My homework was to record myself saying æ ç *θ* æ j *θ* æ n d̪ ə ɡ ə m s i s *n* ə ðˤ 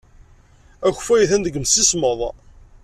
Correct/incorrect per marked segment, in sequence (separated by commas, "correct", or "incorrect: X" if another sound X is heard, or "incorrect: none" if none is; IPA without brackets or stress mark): incorrect: f, correct, incorrect: m